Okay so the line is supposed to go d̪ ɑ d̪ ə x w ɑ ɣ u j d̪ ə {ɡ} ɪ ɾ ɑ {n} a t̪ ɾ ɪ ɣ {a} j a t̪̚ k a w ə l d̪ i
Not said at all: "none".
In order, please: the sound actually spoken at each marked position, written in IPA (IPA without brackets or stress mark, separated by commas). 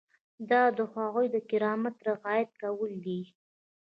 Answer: k, m, ɑ